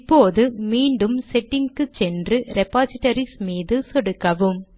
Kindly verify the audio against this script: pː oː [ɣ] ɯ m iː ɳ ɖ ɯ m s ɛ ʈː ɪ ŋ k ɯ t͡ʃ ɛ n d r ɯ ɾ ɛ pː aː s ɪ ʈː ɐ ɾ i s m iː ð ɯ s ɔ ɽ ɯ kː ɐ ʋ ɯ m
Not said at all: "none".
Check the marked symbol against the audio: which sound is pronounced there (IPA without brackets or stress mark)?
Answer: ð